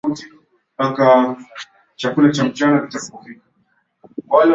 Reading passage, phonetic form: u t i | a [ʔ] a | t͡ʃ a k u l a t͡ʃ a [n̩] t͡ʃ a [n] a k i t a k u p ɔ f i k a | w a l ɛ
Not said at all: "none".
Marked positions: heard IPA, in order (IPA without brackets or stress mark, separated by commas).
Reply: k, m̩, n